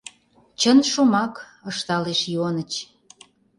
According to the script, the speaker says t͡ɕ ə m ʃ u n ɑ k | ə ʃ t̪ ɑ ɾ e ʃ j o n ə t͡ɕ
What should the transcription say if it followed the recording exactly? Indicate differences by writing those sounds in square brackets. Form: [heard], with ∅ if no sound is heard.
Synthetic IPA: t͡ɕ ə [n] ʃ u [m] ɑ k | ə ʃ t̪ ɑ [l] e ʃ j o n ə t͡ɕ